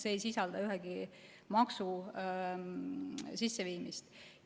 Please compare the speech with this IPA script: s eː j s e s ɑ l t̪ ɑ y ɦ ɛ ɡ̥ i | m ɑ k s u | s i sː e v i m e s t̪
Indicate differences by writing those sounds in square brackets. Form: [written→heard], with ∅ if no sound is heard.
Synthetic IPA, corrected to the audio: s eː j s [e→i] s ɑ l [t̪→d̪] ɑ y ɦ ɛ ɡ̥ i | m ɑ k s u | s i sː e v [i→iː] m [e→i] s t̪

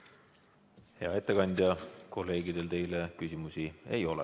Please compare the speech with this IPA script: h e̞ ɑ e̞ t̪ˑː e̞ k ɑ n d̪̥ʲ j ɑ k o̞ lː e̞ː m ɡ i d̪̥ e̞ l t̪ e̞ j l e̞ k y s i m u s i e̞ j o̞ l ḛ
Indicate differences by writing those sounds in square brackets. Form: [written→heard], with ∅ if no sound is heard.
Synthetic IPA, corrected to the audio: h e̞ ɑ e̞ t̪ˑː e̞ k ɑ n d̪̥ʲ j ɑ k o̞ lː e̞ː [m→∅] ɡ i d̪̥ e̞ l t̪ e̞ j l e̞ k y s i m u s i e̞ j o̞ l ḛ

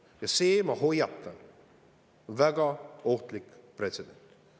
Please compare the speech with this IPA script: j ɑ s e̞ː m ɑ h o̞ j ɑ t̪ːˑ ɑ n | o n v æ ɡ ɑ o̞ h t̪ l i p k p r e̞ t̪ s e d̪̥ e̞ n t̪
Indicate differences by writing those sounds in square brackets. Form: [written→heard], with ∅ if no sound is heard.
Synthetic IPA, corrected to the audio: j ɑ s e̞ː m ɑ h o̞ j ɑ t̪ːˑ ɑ n | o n v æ ɡ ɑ o̞ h t̪ l i [p→∅] k p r e̞ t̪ s e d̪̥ e̞ n t̪

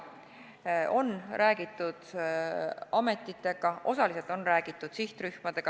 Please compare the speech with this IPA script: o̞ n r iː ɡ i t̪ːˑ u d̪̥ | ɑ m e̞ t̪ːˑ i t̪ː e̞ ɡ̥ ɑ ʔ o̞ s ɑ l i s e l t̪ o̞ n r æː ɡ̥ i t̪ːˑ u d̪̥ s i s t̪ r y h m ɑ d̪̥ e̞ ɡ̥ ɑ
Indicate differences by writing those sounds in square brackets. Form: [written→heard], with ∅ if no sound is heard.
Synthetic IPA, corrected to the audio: o̞ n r [iː→æː] ɡ i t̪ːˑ u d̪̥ | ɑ m e̞ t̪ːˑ i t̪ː e̞ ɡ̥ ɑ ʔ o̞ s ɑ l i s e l t̪ o̞ n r æː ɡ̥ i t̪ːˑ u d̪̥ s i [s→h] t̪ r y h m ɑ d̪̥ e̞ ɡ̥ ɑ

